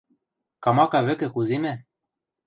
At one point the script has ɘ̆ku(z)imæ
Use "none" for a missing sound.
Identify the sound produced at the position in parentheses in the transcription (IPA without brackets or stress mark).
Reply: z